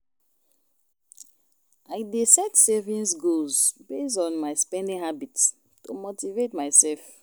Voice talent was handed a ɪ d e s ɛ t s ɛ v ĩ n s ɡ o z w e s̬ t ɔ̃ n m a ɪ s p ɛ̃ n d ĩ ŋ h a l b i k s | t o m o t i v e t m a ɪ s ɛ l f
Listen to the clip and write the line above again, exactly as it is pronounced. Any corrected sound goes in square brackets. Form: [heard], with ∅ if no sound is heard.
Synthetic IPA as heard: a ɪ d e s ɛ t s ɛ v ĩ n s ɡ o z [b] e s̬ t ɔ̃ n m a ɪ s p ɛ̃ n d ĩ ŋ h a [∅] b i [t] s | t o m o t i v e t m a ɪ s ɛ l f

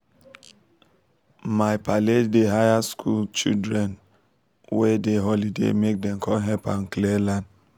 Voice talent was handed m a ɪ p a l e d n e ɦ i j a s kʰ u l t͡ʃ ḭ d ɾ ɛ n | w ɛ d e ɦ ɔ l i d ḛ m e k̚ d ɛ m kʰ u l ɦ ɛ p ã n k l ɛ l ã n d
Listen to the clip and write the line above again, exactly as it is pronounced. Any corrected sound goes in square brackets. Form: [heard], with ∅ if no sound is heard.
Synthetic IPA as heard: m a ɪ p a l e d [d] e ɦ [a] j a s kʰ u l t͡ʃ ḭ d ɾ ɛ n | w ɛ d e ɦ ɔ l i d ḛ m e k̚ d ɛ m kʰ [ɔ] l ɦ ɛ p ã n k l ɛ l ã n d

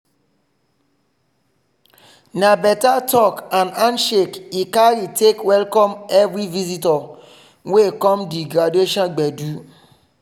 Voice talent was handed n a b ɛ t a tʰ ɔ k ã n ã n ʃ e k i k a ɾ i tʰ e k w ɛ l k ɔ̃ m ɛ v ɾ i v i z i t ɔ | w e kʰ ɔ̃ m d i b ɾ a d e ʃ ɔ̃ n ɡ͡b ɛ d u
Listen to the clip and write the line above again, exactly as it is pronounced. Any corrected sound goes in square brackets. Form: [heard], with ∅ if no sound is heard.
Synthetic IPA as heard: n a b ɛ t a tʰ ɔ k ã n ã n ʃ e k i k a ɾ i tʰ e k w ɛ l k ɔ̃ m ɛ v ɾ i v i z i t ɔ | w e [k] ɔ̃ m d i [ɡ] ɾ a d e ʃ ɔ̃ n ɡ͡b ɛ d u

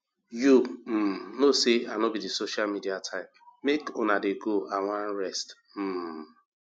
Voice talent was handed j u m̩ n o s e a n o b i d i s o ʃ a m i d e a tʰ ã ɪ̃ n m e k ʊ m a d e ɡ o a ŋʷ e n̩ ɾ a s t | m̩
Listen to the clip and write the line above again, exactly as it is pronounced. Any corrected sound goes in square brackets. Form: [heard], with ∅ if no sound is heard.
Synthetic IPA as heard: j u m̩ n o s e a n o b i d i s o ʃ a m i d [i] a tʰ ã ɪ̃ [m] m e k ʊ [n] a d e ɡ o a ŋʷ [a] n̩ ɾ [ɛ] s t | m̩

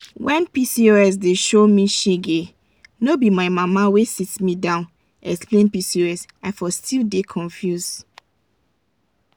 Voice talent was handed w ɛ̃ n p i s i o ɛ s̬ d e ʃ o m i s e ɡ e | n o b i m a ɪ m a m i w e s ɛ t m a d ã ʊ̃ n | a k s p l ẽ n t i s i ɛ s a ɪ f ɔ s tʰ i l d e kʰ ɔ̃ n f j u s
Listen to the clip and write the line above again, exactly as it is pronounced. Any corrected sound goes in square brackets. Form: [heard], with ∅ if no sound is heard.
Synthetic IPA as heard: w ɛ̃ n p i s i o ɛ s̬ d e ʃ o m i [ʃ] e ɡ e | n o b i m a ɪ m a m [a] w e s [i] t m [i] d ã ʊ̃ n | [ɛ] k s p l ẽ n [p] i s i ɛ s a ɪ f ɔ s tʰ i l d e kʰ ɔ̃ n f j u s

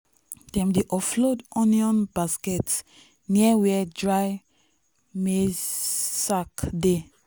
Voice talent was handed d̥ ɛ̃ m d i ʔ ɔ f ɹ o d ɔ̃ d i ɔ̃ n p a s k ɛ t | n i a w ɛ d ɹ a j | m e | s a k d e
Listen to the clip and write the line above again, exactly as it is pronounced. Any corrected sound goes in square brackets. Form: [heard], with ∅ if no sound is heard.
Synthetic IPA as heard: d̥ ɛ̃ m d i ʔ ɔ f [l] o d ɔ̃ [n] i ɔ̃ n [b] a s k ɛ t | n i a w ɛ d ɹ a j | m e | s a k d e

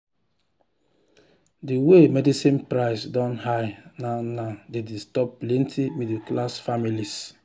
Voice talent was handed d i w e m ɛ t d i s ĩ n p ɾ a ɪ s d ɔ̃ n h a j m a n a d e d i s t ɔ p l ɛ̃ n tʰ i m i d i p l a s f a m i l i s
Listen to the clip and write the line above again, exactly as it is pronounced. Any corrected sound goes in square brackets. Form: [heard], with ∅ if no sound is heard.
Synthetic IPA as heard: d i w e m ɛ [∅] d i s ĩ n p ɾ a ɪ s d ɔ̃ n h a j [n] a n a d e d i s t ɔ p l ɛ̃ n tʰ i m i d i [k] l a s f a m i l i s

